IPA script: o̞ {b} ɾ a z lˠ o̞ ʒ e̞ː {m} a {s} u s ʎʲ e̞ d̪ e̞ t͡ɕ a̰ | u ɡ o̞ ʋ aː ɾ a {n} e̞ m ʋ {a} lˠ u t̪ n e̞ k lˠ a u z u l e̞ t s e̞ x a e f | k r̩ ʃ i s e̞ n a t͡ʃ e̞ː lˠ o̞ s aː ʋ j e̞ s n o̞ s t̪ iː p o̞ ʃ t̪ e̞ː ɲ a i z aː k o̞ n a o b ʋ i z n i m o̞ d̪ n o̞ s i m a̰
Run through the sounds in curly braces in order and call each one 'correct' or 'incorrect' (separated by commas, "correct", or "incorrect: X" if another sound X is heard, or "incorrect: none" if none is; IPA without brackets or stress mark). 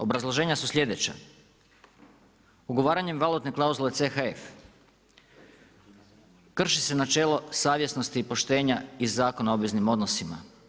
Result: correct, incorrect: ɲ, correct, incorrect: ɲ, correct